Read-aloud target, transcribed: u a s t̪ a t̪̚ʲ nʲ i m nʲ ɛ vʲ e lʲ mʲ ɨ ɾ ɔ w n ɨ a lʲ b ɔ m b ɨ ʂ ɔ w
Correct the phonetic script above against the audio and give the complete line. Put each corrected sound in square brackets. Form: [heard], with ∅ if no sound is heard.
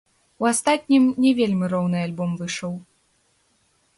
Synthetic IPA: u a s t̪ a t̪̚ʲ nʲ i m nʲ ɛ vʲ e lʲ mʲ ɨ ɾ ɔ w n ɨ a lʲ b ɔ m [v] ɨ ʂ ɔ w